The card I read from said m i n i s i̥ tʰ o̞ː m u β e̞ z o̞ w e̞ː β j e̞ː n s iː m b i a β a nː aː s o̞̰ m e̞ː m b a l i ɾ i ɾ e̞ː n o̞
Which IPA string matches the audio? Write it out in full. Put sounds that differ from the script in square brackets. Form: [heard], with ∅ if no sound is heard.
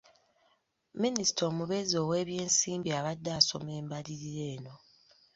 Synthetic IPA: m i n i s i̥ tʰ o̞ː m u β e̞ z o̞ w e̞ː β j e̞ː n s iː m b i a β a [dː] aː s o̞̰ m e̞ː m b a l i ɾ i ɾ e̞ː n o̞